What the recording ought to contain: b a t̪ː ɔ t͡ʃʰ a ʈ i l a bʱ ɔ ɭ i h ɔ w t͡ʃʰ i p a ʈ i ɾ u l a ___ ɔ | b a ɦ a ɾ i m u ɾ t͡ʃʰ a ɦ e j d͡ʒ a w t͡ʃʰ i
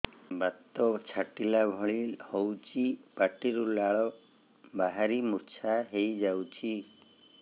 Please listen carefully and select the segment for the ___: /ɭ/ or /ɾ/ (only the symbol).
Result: ɭ